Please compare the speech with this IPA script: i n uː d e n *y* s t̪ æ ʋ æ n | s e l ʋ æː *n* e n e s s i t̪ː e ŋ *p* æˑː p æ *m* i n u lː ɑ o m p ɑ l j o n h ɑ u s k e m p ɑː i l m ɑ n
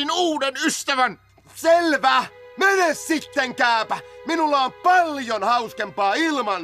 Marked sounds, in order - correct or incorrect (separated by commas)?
correct, incorrect, incorrect, correct